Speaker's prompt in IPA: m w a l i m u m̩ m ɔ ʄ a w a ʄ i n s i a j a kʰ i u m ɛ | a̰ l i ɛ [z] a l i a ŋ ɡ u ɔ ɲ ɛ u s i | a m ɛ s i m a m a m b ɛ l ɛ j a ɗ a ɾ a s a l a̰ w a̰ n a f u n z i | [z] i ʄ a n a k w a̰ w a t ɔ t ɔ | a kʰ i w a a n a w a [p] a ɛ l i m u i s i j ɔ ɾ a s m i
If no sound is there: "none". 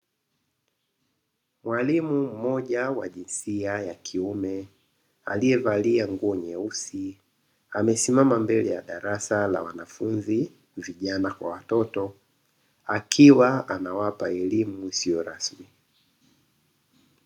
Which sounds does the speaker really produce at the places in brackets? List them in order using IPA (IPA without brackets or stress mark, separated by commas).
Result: v, v, p